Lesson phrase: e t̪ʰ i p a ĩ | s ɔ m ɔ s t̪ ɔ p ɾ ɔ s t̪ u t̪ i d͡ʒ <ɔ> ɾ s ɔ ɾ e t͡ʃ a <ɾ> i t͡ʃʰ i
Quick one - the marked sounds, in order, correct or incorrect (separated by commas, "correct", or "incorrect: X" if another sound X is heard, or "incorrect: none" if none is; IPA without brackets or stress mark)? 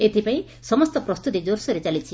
incorrect: o, incorrect: l